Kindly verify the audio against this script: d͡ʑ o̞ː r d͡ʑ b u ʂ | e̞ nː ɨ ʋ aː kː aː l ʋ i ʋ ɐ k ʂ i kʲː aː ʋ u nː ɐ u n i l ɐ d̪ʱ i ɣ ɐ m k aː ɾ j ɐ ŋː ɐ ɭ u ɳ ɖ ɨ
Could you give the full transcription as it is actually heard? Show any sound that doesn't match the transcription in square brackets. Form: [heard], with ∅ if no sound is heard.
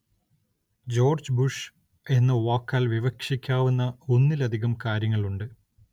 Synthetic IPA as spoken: d͡ʑ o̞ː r d͡ʑ b u ʂ | e̞ nː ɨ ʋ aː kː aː l ʋ i ʋ ɐ k ʂ i kʲː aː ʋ u nː ɐ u [nː] i l ɐ d̪ʱ i ɣ ɐ m k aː ɾ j ɐ ŋː ɐ ɭ u ɳ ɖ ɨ

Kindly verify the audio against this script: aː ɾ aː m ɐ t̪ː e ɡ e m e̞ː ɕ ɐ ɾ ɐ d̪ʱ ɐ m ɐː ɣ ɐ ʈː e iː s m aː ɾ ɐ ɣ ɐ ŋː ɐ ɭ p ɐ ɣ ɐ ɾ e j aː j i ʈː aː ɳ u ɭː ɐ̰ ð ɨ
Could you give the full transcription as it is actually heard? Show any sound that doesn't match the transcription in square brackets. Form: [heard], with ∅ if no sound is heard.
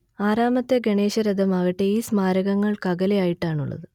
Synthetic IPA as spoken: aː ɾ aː m ɐ t̪ː e ɡ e [ɳ] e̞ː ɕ ɐ ɾ ɐ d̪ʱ ɐ m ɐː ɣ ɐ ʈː e iː s m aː ɾ ɐ ɣ ɐ ŋː ɐ ɭ [k] ɐ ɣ ɐ [l] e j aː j i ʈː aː ɳ u ɭː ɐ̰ ð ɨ

